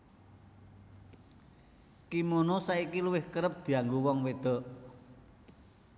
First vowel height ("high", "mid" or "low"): high